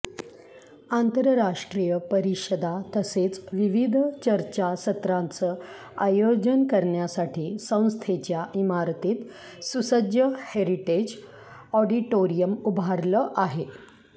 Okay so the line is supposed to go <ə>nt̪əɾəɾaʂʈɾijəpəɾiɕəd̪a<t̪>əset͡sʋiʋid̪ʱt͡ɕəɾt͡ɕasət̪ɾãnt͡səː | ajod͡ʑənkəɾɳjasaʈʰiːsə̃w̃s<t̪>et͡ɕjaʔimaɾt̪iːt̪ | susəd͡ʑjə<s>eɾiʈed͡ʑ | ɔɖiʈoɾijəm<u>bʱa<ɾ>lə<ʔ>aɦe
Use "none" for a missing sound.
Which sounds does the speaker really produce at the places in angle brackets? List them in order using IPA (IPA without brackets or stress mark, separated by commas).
a, t̪, t̪ʰ, h, u, ɾ, ʔ